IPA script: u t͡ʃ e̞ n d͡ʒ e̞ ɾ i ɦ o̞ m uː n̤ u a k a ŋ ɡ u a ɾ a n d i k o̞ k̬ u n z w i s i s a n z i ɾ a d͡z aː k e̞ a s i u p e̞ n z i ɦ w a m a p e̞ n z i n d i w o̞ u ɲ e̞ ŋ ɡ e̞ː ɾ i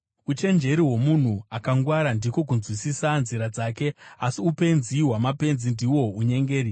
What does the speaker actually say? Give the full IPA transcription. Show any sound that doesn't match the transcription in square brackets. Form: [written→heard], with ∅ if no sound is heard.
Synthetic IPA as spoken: u t͡ʃ e̞ n d͡ʒ e̞ ɾ i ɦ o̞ m [uː→u] n̤ u a k a ŋ ɡ [u→w] a ɾ a n d i k o̞ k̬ u n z w i s i s a n z i ɾ a d͡z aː k e̞ a s i u p e̞ n z i ɦ w a m a p e̞ n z i n d i w o̞ u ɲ e̞ ŋ ɡ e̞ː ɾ i